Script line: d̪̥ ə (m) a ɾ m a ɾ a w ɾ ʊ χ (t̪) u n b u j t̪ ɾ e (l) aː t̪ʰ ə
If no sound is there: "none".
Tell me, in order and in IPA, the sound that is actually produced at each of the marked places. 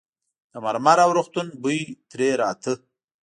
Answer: m, t̪, ɾ

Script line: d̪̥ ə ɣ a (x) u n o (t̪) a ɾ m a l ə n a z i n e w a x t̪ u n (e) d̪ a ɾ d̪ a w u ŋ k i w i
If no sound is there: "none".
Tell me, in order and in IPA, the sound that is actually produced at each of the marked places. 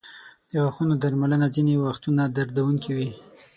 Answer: x, d̪, a

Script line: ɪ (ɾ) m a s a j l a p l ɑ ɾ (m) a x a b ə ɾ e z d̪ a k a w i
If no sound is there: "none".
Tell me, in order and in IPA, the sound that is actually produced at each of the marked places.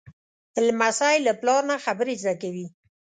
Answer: l, n

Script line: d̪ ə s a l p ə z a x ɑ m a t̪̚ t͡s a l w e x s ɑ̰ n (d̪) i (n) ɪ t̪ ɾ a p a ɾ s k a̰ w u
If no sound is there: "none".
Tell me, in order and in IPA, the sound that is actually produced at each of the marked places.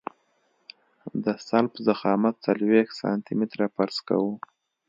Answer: t̪, m

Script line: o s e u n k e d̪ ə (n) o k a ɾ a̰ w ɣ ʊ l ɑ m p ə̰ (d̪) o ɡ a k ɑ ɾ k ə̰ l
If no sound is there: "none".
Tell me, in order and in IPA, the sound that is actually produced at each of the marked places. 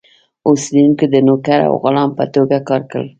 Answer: n, t̪

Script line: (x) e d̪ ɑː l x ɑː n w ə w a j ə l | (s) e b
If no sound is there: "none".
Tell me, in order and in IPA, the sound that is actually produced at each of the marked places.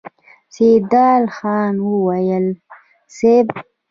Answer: s, s

